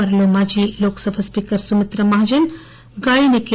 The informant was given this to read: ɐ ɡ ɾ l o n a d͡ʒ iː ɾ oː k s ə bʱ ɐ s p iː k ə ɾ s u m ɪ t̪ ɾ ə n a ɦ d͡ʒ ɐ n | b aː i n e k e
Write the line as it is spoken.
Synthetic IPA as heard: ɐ ɾ l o m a d͡ʒ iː l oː k s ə bʱ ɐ s p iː k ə ɾ s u m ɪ t̪ ɾ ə m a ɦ d͡ʒ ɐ n | ɡ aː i n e k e